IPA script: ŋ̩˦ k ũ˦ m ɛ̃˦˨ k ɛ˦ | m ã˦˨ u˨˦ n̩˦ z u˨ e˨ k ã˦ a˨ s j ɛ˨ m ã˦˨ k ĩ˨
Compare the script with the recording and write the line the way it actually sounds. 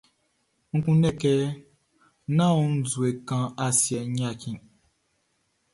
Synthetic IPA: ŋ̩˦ k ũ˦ n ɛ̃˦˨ k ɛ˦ | n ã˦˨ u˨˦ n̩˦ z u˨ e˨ k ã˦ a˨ s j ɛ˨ ɲ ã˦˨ k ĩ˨

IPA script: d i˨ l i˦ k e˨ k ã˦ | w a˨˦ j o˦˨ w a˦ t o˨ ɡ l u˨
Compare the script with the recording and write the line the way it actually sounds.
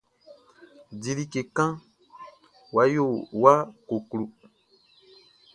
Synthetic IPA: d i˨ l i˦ k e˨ k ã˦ | w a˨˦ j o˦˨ w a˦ k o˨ k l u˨

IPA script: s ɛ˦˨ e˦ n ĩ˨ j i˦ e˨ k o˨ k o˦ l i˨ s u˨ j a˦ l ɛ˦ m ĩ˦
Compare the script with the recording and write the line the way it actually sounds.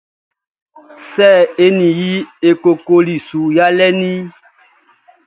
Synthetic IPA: s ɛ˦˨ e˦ n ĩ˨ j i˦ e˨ k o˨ k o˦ l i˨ s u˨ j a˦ l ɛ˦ n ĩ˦

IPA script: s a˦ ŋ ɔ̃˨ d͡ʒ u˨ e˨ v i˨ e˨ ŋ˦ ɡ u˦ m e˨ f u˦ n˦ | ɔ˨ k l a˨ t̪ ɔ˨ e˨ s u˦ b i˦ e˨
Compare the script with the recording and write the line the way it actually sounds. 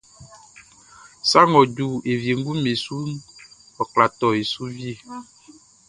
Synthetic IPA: s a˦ ŋ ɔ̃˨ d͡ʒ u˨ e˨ v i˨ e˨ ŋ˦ ɡ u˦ m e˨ s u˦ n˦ | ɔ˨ k l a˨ t̪ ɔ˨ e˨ s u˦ v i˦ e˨

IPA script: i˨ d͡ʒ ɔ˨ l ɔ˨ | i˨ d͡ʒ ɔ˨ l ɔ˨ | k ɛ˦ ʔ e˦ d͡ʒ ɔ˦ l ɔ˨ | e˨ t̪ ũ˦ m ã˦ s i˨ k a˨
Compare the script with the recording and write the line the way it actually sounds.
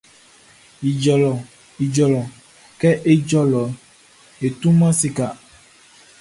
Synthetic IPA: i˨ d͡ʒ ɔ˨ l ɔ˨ | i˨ d͡ʒ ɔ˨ l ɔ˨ | k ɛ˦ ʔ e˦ d͡ʒ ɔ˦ l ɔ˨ | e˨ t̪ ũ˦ m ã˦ s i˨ k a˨

